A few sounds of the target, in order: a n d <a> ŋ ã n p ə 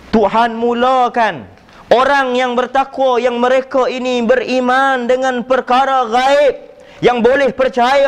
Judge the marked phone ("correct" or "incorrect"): incorrect